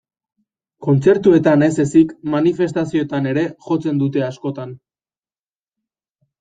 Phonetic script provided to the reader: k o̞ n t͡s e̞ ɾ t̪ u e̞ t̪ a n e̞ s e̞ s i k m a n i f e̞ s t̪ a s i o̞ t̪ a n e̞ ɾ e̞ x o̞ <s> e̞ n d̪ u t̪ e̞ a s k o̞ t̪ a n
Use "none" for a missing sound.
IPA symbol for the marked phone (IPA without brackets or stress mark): t͡s